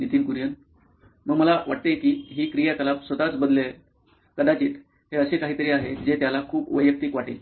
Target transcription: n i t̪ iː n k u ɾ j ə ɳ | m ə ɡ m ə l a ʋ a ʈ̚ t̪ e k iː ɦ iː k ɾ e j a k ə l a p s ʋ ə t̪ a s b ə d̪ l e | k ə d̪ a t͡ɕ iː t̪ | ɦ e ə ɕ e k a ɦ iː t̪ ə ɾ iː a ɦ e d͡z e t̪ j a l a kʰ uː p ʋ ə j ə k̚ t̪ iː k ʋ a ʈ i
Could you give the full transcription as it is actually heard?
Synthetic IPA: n i t̪ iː n k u ɾ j ə n | m ə ɡ m ə l a ʋ a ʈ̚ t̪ e k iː ɦ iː k ɾ i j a k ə l a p s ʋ ə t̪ a t͡s b ə d̪ l e | k ə d̪ a t͡ɕ iː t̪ | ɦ e ə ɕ e k a ɦ iː t̪ ə ɾ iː a ɦ e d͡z e t̪ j a l a kʰ uː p ʋ ə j ə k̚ t̪ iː k ʋ a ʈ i